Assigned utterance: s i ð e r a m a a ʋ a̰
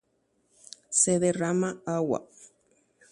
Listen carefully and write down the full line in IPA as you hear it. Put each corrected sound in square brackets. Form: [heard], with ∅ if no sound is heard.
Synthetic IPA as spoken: s [e] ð e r a m a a [w] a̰